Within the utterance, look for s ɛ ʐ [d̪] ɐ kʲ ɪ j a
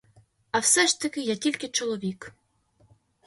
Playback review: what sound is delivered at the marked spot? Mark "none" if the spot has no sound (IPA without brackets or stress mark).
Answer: t̪